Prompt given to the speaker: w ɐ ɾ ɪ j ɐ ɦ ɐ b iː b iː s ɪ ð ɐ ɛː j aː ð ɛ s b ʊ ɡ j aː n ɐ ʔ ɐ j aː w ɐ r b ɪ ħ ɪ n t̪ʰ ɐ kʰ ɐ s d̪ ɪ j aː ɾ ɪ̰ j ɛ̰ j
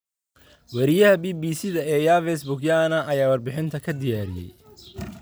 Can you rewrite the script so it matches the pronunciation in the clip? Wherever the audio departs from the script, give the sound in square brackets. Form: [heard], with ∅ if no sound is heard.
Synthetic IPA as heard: w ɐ ɾ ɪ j ɐ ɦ ɐ b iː b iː s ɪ ð ɐ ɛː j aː [v] ɛ s b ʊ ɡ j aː n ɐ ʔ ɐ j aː w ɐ r b ɪ ħ ɪ n t̪ʰ ɐ kʰ ɐ [∅] d̪ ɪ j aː ɾ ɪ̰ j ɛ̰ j

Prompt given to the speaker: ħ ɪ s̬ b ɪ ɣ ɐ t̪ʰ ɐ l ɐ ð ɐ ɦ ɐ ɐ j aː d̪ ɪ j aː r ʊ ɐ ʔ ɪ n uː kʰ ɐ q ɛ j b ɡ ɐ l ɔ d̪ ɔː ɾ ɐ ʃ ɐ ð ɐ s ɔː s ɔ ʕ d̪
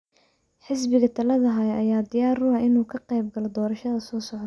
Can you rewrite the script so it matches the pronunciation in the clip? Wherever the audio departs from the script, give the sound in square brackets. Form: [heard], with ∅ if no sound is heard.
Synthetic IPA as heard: ħ ɪ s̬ b ɪ ɣ ɐ t̪ʰ ɐ l ɐ ð ɐ ɦ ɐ ɐ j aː d̪ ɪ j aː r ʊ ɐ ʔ ɪ n uː kʰ ɐ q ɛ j b ɡ ɐ l ɔ d̪ ɔː ɾ ɐ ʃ ɐ ð ɐ s ɔː s ɔ ʕ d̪

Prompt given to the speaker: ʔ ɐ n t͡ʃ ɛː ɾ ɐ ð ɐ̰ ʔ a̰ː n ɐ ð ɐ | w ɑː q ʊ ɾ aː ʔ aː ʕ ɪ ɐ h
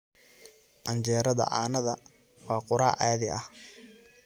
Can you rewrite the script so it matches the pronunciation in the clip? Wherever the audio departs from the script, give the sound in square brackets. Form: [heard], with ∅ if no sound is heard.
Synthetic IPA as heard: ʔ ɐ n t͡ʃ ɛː ɾ ɐ ð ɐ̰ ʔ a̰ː n ɐ ð ɐ | w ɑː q ʊ ɾ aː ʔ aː [ð] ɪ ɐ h

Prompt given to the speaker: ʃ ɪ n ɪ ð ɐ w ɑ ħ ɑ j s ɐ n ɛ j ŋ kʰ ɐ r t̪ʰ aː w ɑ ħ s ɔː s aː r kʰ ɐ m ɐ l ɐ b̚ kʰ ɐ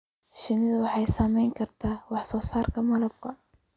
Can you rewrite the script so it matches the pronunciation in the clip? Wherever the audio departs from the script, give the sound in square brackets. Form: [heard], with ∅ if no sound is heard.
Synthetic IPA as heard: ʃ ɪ n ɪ ð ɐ w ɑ ħ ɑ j s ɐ [m] ɛ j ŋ kʰ ɐ r t̪ʰ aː w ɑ ħ s ɔː s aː r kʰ ɐ m ɐ l ɐ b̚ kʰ ɐ

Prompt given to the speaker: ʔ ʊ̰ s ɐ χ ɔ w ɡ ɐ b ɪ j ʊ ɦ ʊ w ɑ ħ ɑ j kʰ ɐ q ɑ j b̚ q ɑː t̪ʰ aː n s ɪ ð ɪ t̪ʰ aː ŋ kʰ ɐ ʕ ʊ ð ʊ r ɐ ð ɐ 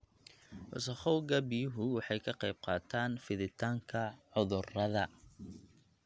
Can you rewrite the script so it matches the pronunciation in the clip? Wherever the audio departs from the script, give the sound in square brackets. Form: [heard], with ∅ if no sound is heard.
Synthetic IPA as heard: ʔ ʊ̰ s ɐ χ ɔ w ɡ ɐ b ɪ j ʊ ɦ ʊ w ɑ ħ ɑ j kʰ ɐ q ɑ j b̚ q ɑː t̪ʰ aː n [f] ɪ ð ɪ t̪ʰ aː ŋ kʰ ɐ ʕ ʊ ð ʊ r ɐ ð ɐ

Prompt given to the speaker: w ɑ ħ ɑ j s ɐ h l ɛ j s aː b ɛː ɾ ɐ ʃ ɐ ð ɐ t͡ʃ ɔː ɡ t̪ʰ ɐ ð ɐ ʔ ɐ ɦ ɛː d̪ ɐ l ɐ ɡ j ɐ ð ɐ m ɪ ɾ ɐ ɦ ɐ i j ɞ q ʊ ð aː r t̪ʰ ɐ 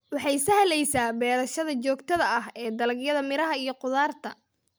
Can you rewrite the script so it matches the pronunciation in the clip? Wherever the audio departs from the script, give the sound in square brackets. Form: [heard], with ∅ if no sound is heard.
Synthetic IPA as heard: w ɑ ħ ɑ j s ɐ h l ɛ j s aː b ɛː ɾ ɐ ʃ ɐ ð ɐ t͡ʃ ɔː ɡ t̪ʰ ɐ ð ɐ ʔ ɐ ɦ ɛː d̪ ɐ l ɐ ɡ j ɐ ð ɐ m ɪ ɾ ɐ ɦ ɐ i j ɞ q ʊ ð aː r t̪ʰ ɐ

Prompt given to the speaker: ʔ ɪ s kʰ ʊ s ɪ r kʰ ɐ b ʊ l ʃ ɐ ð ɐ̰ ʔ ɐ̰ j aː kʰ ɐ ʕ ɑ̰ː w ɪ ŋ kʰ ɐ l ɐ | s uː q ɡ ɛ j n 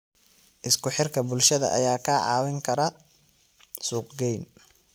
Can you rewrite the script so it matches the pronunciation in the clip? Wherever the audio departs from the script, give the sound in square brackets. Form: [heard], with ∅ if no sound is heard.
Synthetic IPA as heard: ʔ ɪ s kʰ ʊ [ħ] ɪ r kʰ ɐ b ʊ l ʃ ɐ ð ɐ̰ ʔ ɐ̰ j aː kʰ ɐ ʕ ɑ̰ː w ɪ ŋ kʰ ɐ [ɾ] ɐ | s uː q ɡ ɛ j n

